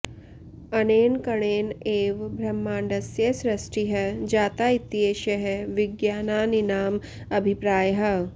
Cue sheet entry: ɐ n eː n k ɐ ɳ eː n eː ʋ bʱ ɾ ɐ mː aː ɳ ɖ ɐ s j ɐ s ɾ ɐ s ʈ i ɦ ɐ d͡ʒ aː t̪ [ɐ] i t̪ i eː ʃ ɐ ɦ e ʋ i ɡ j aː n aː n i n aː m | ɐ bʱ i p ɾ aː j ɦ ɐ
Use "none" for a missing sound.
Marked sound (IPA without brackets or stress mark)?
a